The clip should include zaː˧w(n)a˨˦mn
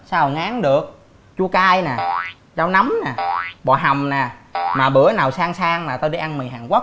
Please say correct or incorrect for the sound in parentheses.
correct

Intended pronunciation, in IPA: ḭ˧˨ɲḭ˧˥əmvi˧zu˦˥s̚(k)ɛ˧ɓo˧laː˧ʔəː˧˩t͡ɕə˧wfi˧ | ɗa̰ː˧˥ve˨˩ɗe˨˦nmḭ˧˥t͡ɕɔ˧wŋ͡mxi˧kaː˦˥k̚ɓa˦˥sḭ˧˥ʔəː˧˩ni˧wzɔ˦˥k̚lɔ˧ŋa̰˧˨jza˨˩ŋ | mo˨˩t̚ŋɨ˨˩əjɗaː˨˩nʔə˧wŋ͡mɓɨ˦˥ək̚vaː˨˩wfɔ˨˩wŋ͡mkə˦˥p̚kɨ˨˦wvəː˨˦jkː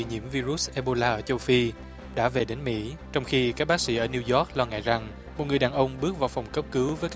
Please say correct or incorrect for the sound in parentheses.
incorrect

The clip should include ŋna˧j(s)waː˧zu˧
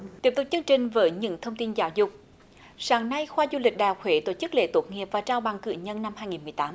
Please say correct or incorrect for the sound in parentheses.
incorrect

